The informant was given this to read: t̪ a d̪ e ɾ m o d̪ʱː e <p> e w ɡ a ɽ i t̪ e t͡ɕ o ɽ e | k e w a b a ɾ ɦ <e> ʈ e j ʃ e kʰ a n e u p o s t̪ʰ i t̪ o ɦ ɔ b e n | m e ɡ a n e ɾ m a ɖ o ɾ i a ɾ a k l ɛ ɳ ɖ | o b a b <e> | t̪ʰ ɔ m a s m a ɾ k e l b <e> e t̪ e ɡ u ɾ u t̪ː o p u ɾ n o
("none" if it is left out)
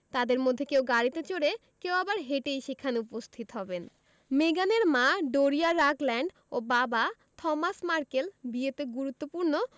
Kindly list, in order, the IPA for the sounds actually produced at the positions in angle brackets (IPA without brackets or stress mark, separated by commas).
k, e, a, i